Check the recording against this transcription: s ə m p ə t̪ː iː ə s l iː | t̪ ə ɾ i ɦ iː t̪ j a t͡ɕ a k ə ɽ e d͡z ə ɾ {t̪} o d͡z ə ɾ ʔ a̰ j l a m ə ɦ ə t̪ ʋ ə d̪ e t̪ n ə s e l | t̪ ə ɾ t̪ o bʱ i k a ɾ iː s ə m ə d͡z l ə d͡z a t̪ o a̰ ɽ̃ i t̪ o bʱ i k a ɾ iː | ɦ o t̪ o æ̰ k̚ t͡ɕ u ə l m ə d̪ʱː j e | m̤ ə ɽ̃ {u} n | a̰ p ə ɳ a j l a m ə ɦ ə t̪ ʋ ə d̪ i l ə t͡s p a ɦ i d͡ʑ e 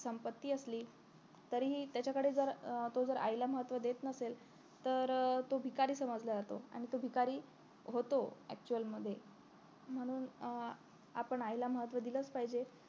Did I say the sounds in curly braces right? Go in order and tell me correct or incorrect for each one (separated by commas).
correct, incorrect